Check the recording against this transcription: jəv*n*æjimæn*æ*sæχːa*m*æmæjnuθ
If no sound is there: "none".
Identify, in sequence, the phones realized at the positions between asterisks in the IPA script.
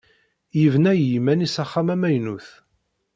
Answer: n, i, m

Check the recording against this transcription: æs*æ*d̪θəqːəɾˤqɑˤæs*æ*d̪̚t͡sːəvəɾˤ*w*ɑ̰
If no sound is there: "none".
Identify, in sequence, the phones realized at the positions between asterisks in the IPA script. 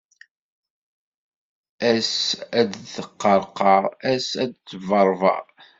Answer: æ, æ, v

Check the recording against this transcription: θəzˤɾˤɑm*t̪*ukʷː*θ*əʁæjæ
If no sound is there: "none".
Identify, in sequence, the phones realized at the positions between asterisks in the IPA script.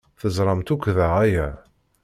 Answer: t̪, ð

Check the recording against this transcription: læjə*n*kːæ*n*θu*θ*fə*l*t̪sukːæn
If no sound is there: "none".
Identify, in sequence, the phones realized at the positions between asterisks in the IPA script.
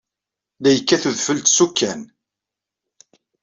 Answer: none, none, ð, l

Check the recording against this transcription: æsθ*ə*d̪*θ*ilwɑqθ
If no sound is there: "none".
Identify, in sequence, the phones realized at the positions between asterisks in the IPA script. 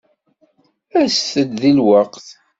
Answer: ə, ð

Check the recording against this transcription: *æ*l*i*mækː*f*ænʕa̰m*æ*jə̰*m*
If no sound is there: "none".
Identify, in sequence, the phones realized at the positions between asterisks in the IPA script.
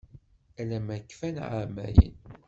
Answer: æ, æ, f, æ, n

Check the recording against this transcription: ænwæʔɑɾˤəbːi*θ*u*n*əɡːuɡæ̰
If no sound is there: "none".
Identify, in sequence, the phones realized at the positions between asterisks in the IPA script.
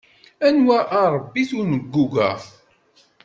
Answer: θ, n

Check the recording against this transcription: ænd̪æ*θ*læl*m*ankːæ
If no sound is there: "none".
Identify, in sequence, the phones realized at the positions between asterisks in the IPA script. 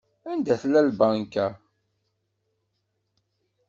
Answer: θ, b

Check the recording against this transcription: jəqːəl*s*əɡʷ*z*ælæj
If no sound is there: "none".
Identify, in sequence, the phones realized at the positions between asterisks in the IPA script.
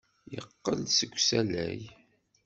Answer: s, s

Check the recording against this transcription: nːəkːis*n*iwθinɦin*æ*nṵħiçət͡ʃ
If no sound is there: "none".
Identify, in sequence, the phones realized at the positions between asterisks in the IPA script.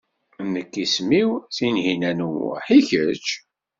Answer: m, æ

